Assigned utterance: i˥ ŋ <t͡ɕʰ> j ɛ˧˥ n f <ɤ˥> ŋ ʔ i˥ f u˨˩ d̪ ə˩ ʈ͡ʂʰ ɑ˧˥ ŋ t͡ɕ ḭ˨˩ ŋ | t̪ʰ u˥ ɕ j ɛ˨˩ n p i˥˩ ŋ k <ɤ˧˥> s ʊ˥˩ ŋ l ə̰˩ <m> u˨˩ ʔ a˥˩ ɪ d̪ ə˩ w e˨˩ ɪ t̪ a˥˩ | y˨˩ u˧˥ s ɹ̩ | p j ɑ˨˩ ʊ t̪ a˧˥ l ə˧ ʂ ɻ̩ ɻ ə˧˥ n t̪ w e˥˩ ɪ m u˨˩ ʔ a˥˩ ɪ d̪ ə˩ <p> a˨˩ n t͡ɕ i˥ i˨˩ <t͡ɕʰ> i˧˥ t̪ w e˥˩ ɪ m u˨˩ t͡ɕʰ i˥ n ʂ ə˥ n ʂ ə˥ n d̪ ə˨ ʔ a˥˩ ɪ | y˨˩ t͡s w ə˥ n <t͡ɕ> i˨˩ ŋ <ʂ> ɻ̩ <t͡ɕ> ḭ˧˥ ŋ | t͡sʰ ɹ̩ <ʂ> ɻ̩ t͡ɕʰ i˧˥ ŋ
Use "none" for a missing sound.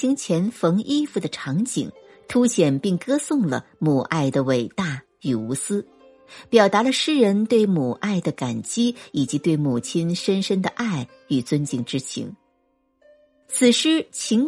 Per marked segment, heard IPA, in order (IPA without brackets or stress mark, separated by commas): t͡ɕʰ, ɤ˧˥, ɤ˥, m, k, t͡ɕ, t͡ɕ, ʈ͡ʂ, t͡ɕʰ, ʂ